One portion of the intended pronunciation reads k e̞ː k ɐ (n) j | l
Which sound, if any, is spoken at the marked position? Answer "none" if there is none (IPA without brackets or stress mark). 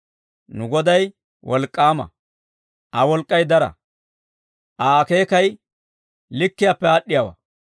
none